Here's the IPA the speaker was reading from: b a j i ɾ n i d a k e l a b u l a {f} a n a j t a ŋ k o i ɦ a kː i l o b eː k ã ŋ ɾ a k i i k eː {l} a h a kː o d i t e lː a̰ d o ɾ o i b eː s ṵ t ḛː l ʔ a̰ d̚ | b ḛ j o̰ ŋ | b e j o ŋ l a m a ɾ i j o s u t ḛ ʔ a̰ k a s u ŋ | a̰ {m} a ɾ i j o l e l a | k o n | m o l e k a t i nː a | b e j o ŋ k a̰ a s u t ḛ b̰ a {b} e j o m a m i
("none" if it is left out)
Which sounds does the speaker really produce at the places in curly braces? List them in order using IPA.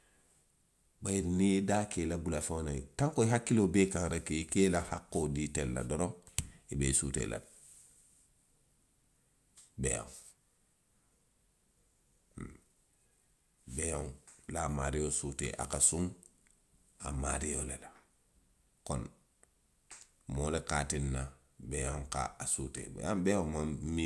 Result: f, l, m, b

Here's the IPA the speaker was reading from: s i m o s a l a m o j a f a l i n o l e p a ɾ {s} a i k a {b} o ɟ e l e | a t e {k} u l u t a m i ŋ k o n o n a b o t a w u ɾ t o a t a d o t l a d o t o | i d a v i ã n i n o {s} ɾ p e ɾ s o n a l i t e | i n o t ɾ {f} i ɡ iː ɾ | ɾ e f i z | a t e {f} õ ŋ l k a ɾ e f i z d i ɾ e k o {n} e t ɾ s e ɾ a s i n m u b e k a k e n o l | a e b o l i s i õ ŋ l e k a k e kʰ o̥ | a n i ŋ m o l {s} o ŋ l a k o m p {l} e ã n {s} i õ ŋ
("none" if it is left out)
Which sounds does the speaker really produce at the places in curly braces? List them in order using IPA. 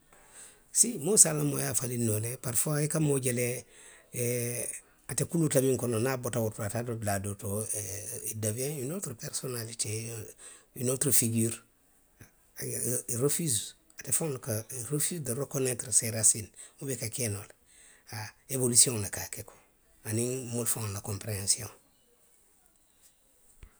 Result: f, m, k, t, f, f, n, f, ɾ, s

